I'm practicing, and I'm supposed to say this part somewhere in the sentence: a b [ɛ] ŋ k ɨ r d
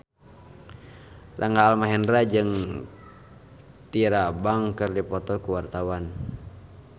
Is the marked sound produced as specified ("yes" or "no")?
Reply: no